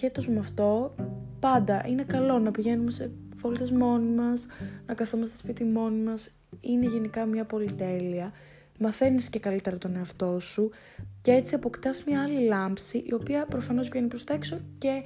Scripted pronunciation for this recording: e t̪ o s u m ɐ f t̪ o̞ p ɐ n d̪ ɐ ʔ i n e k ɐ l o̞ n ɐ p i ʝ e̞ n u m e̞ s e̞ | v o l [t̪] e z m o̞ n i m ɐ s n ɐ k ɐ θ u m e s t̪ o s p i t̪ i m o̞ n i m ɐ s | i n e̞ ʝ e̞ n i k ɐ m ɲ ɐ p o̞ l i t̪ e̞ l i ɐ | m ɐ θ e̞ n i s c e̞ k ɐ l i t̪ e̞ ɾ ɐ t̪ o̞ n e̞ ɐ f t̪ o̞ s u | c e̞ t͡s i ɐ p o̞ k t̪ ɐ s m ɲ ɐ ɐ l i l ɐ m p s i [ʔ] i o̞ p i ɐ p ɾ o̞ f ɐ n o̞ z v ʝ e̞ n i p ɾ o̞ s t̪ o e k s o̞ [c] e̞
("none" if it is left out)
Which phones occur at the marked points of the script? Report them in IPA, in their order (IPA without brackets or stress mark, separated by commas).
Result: t̪, ʔ, c